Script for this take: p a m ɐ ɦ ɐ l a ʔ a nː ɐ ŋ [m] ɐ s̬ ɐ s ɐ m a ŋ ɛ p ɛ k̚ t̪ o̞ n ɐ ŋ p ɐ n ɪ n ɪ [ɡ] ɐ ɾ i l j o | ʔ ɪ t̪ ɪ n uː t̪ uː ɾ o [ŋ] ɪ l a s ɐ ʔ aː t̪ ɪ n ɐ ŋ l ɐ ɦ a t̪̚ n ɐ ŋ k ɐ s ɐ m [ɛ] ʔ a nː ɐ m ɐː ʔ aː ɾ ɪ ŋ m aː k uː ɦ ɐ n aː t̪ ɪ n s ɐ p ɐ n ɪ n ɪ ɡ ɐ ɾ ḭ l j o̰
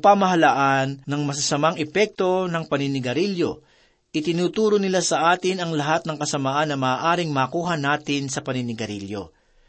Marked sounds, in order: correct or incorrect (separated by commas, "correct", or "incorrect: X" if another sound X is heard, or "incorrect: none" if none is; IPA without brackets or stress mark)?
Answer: correct, correct, incorrect: n, incorrect: a